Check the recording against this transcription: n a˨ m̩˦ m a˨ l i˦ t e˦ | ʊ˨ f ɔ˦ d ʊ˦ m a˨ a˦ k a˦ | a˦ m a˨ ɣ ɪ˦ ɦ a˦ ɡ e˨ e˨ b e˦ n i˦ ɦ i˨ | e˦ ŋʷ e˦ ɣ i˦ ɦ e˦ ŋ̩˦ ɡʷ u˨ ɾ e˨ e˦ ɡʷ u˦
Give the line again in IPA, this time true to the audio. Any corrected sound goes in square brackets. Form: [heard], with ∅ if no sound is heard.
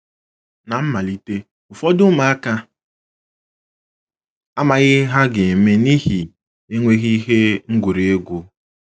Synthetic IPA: n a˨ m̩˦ m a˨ l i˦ t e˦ | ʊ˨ f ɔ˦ d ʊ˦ m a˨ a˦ k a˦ | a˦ m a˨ ɣ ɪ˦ ɦ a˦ ɡ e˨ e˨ [m] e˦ n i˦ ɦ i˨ | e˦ ŋʷ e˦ ɣ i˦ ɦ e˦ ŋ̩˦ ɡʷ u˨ ɾ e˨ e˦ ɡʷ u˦

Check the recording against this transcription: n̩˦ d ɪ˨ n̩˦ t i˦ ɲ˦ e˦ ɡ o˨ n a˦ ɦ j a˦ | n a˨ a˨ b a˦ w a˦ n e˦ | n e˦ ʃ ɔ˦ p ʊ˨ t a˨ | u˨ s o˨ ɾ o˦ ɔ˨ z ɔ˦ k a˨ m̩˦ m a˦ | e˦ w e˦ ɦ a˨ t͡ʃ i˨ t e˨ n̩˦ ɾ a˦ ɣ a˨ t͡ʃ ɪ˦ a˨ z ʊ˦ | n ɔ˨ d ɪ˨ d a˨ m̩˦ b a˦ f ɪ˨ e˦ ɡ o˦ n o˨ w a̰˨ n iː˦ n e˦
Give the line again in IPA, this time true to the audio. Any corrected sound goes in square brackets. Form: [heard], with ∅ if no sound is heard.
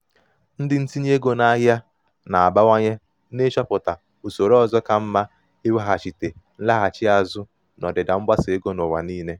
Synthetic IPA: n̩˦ d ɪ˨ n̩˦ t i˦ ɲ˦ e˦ ɡ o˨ n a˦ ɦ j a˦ | n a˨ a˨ b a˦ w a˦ [ɲ] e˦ | n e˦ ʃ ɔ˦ p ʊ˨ t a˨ | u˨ s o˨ ɾ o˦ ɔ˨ z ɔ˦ k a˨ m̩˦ m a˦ | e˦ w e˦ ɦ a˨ t͡ʃ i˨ t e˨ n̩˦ [l] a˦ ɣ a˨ t͡ʃ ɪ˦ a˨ z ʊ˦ | n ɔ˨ d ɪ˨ d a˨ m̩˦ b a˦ [s] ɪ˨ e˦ ɡ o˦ n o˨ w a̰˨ n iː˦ n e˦

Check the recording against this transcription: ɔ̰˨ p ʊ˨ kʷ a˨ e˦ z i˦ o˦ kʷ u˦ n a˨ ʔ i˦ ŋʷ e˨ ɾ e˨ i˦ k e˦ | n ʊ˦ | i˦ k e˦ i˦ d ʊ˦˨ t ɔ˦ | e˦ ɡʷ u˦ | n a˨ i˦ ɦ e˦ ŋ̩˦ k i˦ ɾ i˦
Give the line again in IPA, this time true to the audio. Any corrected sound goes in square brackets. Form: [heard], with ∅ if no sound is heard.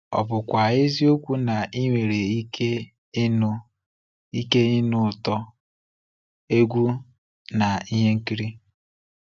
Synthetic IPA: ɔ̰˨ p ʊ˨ kʷ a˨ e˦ z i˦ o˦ kʷ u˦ n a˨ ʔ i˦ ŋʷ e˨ ɾ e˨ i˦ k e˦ | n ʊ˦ | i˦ k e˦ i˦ [n] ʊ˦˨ t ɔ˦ | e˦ ɡʷ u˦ | n a˨ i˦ ɦ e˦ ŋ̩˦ k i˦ ɾ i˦

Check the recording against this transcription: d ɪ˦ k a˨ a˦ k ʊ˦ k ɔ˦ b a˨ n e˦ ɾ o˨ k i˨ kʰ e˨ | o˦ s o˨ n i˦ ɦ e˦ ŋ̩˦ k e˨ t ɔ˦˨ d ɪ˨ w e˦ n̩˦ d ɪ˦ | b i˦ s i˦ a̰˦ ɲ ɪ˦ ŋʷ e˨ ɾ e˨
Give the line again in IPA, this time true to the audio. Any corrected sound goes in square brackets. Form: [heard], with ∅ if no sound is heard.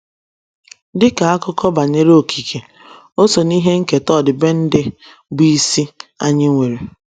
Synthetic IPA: d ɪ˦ k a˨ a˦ k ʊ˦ k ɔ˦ b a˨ [ɲ] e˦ ɾ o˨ k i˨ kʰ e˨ | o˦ s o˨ n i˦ ɦ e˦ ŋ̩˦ k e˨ t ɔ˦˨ d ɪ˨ [b] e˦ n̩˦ d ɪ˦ | b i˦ s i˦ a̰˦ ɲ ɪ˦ ŋʷ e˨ ɾ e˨

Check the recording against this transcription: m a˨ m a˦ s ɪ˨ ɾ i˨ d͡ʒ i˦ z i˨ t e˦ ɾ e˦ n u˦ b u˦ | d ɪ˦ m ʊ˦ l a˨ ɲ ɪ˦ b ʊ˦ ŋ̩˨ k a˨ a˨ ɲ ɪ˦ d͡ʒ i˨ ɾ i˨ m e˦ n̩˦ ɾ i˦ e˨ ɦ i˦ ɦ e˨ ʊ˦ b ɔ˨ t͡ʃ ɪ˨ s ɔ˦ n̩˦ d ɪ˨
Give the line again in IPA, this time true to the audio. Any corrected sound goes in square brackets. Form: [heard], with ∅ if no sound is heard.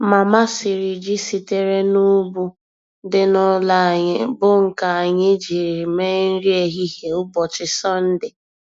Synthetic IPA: m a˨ m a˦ s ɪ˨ ɾ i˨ d͡ʒ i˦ [s] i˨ t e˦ ɾ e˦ n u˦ b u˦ | d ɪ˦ [n] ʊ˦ l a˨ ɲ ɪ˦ b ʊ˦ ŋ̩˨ k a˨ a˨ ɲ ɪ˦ d͡ʒ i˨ ɾ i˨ m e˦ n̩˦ ɾ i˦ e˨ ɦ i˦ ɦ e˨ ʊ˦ b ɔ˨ t͡ʃ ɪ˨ s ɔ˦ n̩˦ d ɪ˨

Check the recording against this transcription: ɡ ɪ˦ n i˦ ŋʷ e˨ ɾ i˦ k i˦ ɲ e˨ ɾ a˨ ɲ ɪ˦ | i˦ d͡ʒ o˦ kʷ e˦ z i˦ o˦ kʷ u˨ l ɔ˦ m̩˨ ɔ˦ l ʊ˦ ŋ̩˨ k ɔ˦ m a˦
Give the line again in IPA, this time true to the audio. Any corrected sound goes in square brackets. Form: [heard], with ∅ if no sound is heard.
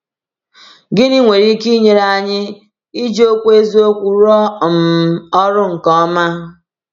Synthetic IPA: ɡ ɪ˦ n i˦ ŋʷ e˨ ɾ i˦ k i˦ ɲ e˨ ɾ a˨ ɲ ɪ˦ | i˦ d͡ʒ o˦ kʷ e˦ z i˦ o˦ kʷ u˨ [ɾ] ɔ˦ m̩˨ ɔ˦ [ɾ] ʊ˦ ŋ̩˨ k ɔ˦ m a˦

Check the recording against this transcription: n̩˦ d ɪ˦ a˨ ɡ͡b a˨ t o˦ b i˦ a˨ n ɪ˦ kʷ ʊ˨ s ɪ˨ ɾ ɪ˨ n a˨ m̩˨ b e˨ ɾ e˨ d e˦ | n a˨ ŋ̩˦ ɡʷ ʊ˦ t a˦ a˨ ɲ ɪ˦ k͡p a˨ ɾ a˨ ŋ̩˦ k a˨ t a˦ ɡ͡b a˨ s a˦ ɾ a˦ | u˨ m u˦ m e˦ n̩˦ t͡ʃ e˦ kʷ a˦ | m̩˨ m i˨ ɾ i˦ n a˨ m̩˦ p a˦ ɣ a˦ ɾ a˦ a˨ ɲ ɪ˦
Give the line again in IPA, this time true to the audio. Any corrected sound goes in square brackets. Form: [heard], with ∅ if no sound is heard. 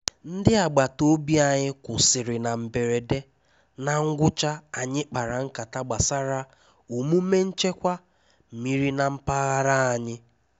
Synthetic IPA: n̩˦ d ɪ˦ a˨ ɡ͡b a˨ t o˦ b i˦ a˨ [ɲ] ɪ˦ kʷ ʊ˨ s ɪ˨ ɾ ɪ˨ n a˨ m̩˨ b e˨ ɾ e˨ d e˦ | n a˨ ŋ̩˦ ɡʷ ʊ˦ [t͡ʃ] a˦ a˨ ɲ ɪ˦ k͡p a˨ ɾ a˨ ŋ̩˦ k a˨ t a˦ ɡ͡b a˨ s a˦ ɾ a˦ | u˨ m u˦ m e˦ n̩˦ t͡ʃ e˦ kʷ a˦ | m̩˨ m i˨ ɾ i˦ n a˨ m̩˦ p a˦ ɣ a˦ ɾ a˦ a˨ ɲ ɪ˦

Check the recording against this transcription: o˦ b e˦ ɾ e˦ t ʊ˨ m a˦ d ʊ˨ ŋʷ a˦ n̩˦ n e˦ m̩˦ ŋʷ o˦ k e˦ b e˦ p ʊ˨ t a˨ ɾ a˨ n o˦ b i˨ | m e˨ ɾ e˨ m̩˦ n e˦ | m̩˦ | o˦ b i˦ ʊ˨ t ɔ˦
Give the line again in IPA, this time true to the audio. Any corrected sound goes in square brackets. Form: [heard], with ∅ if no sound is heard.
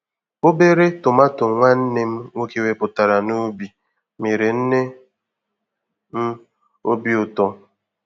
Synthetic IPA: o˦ b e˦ ɾ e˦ t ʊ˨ m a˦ [t] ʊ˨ ŋʷ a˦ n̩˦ n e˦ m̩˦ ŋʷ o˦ k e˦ [w] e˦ p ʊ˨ t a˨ ɾ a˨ n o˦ b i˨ | m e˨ ɾ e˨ [n̩˦] n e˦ | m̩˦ | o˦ b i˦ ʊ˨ t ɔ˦

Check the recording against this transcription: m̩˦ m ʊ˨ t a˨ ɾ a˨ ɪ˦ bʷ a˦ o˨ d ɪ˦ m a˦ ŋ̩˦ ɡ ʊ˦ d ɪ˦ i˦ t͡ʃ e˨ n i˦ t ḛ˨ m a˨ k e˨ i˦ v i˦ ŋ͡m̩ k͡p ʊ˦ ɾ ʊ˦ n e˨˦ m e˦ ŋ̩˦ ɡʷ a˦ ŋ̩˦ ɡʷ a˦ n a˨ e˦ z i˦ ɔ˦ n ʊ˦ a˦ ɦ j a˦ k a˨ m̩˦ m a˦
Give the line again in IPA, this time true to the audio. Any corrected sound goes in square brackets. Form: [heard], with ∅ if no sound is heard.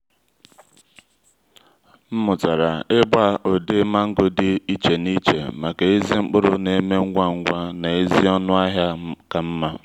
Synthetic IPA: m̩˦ m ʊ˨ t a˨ ɾ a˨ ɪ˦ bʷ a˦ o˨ d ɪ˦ m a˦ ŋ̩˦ ɡ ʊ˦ d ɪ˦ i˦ t͡ʃ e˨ n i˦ [t͡ʃ] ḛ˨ m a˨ k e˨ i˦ [z] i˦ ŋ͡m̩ k͡p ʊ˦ ɾ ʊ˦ n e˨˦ m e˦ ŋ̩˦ ɡʷ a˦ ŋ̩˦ ɡʷ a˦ n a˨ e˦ z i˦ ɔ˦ n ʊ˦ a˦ ɦ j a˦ k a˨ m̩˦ m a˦

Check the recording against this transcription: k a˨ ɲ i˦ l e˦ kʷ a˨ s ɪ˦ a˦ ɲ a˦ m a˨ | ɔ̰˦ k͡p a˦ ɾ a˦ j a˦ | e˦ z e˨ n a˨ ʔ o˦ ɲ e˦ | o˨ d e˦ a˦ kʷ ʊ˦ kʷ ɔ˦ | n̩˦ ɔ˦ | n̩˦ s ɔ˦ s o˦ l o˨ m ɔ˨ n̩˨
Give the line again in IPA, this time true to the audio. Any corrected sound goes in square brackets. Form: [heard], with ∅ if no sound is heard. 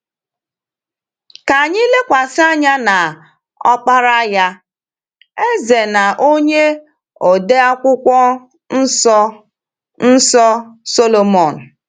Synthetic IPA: k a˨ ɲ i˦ l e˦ kʷ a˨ s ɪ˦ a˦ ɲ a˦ [n] a˨ | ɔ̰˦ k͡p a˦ ɾ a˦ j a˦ | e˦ z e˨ n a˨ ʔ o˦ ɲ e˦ | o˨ d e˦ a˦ kʷ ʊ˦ kʷ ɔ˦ | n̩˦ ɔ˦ | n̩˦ s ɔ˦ s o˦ l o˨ m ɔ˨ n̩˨

